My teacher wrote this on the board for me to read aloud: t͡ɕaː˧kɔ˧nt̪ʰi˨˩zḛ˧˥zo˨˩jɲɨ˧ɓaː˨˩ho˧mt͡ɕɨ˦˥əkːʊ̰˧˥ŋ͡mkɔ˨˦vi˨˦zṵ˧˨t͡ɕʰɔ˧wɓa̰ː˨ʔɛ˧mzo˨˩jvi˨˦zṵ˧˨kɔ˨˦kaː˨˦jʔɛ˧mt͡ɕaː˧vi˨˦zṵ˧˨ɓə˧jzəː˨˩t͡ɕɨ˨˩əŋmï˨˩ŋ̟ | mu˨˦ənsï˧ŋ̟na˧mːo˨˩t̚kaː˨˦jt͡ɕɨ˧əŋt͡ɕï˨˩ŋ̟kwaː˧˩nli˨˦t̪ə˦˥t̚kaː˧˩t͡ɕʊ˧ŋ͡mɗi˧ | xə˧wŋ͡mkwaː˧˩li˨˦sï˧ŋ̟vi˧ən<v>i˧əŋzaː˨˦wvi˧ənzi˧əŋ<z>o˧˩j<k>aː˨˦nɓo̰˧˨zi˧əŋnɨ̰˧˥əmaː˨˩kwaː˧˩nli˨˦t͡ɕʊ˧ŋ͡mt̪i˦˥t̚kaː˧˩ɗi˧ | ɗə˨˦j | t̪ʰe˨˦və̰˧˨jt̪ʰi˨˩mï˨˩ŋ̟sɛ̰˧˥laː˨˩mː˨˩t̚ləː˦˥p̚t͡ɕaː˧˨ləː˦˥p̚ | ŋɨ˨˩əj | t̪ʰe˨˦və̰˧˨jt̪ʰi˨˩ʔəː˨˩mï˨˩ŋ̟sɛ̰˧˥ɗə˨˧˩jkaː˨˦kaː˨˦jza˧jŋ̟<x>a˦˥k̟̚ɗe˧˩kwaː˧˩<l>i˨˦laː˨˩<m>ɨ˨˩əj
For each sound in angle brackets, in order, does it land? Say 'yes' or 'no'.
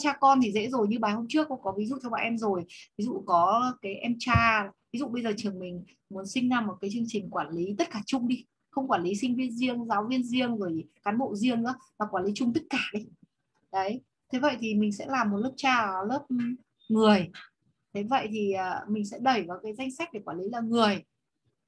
no, yes, yes, no, yes, no

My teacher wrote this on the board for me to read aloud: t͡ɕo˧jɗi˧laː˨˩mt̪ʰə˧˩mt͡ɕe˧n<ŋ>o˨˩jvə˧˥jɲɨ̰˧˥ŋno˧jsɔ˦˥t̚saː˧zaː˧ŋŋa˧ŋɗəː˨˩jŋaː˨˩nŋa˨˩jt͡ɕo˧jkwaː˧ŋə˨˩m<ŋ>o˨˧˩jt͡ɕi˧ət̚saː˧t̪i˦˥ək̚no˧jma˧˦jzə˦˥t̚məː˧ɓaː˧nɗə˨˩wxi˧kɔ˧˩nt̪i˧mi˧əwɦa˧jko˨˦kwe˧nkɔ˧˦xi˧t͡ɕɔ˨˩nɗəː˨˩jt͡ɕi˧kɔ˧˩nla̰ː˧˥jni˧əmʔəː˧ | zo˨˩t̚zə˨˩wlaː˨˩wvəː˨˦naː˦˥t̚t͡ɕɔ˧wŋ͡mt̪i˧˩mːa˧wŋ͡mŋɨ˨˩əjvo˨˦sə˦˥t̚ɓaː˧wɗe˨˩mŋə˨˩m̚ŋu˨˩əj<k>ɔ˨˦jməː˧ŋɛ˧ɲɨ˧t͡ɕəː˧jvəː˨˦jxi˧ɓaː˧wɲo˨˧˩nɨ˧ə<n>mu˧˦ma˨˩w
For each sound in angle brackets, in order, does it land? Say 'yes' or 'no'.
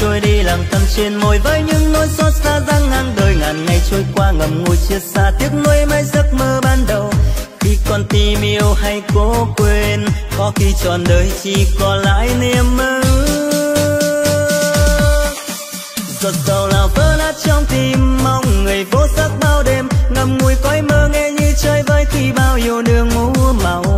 no, yes, yes, no

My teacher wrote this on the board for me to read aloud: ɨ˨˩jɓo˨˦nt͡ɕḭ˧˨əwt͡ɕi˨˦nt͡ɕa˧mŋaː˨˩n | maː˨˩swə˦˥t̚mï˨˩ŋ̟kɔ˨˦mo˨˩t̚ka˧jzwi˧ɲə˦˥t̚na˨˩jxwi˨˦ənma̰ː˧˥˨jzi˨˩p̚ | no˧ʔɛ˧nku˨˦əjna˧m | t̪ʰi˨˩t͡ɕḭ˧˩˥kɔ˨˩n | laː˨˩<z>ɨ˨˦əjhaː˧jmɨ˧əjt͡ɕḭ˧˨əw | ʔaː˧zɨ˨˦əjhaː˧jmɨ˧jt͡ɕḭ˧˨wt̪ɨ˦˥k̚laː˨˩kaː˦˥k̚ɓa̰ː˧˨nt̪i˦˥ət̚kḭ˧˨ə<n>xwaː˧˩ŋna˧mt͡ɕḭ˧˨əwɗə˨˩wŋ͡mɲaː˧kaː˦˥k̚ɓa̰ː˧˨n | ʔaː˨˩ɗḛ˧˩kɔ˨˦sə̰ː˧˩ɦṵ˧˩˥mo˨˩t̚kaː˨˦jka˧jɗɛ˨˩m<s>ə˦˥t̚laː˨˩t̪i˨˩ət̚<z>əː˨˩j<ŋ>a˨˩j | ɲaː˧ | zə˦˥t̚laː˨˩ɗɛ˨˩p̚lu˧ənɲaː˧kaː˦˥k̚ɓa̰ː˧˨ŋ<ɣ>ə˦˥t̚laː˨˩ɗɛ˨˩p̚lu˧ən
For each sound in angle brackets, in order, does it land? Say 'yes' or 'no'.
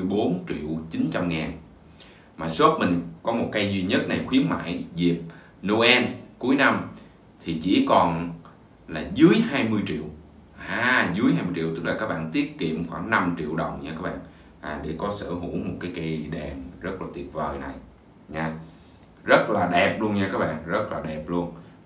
yes, no, no, no, no, no

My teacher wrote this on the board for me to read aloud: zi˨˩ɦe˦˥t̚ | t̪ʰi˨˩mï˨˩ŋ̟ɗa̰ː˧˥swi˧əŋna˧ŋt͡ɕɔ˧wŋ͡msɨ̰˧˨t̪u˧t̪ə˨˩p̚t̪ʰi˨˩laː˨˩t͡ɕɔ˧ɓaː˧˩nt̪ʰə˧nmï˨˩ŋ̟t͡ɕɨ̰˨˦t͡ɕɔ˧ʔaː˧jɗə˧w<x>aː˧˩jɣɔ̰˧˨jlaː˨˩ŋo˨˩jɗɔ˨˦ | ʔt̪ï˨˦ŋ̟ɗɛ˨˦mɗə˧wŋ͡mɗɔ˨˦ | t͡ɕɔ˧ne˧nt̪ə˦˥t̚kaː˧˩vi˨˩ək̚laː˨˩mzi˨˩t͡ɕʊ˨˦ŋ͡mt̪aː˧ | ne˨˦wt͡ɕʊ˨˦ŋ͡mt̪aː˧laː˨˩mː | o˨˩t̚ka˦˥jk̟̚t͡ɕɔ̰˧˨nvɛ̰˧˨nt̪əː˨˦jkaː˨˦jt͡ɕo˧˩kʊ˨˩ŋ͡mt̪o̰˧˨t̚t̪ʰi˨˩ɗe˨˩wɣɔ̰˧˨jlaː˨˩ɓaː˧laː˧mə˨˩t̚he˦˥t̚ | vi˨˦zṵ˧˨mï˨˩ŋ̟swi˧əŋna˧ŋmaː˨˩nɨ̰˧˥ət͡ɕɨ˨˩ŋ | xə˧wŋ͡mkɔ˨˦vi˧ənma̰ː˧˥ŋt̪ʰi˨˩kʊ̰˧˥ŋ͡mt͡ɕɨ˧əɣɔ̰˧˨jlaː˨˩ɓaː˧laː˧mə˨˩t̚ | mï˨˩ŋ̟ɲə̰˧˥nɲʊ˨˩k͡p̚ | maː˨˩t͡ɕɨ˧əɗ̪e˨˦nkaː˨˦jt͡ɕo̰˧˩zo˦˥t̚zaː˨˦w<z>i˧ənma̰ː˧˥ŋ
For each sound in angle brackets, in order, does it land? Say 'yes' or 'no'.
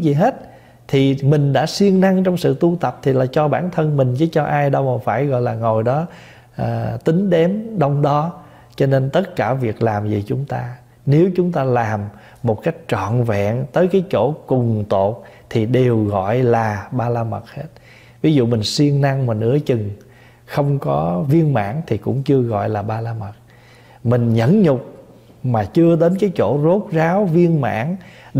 no, no

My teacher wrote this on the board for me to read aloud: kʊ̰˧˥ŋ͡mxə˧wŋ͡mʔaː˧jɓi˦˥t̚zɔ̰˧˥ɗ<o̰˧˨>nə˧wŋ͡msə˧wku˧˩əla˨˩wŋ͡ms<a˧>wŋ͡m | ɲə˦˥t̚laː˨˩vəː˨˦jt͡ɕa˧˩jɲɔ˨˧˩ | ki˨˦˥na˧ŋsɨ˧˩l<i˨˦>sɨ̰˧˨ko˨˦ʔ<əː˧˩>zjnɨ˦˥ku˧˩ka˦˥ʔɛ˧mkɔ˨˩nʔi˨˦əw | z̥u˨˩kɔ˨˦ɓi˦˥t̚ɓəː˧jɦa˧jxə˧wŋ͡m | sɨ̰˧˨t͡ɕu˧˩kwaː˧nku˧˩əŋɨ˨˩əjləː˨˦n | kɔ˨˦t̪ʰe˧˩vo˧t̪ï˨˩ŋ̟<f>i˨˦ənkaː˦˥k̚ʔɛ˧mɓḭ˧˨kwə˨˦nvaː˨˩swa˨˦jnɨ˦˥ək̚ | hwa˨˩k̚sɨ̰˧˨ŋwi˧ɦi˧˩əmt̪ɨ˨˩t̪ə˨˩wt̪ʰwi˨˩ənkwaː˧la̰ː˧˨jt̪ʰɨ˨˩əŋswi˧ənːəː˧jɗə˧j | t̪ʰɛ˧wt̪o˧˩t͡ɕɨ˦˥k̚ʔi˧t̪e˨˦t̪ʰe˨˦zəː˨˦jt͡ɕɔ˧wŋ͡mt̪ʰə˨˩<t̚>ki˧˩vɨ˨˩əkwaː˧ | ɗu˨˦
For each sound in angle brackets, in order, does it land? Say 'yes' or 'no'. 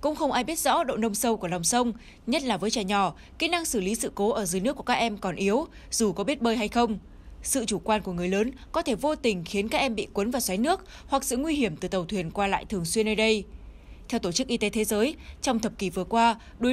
yes, no, yes, yes, no, no

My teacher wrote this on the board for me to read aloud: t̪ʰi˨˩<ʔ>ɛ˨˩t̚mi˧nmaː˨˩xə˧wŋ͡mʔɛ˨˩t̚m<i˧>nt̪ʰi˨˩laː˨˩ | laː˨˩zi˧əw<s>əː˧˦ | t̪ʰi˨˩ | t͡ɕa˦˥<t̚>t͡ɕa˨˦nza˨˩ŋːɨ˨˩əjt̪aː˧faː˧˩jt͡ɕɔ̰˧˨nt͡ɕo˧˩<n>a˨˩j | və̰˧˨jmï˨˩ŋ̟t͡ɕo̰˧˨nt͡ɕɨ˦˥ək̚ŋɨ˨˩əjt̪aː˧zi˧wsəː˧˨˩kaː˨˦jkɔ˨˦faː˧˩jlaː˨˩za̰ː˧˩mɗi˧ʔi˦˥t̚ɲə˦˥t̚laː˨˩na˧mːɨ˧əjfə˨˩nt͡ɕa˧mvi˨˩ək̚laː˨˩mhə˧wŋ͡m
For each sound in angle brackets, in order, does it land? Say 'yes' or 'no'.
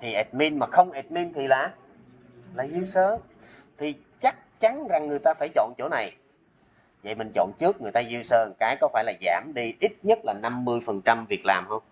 yes, yes, yes, no, yes

